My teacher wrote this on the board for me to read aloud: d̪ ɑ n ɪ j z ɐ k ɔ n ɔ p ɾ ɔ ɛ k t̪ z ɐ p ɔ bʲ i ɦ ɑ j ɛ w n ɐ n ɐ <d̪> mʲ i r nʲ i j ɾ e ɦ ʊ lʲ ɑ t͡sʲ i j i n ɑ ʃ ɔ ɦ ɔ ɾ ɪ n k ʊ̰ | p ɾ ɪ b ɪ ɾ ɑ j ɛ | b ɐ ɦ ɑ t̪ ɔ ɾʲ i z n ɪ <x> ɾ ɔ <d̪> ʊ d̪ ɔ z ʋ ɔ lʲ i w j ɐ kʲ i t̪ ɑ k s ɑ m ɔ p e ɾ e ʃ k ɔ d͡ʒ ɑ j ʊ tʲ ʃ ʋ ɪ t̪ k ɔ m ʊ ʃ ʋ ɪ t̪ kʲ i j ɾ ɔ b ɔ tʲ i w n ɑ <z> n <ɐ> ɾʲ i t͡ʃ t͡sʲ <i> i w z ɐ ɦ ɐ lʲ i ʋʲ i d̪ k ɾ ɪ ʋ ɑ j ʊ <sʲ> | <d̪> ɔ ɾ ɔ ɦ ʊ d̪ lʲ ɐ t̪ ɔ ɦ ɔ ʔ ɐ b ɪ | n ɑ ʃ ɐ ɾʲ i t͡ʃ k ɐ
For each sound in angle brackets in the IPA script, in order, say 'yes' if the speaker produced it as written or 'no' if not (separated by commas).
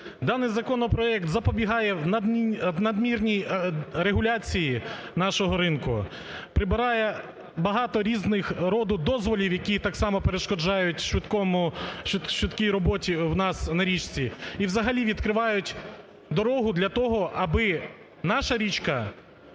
yes, yes, yes, no, yes, yes, no, yes